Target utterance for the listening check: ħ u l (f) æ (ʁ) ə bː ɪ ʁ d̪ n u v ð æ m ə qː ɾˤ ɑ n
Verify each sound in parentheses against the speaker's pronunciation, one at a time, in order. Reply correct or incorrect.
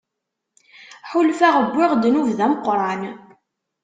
correct, correct

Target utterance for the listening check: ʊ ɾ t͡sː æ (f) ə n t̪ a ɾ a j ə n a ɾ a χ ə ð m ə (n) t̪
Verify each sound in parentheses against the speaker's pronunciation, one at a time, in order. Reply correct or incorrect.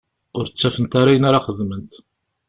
correct, correct

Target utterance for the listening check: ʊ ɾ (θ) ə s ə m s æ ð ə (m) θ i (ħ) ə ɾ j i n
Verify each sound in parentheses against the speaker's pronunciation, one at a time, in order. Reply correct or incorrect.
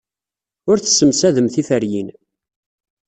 correct, correct, incorrect: f

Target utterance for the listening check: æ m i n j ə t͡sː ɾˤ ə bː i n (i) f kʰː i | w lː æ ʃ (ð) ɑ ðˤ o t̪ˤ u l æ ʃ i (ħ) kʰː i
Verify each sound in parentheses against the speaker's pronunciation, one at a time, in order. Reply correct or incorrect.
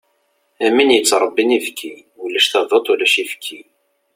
correct, incorrect: θ, incorrect: f

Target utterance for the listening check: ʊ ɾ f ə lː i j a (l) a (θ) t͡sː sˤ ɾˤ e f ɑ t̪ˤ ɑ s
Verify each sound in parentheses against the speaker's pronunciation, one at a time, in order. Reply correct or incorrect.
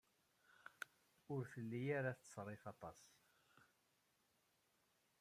incorrect: ɾ, correct

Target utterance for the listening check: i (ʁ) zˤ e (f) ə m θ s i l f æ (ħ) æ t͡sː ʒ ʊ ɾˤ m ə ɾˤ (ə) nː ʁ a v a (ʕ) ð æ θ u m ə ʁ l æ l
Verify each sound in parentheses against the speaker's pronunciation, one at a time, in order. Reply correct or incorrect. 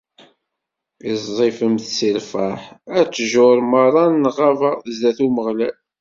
incorrect: z, correct, correct, incorrect: ɑ, incorrect: z

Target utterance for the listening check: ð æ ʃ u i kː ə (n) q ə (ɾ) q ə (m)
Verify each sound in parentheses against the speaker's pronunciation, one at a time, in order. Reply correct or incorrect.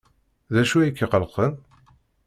incorrect: none, incorrect: l, incorrect: n

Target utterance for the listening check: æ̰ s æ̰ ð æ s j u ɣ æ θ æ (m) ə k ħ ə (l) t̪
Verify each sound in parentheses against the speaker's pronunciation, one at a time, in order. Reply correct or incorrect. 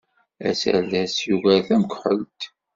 correct, correct

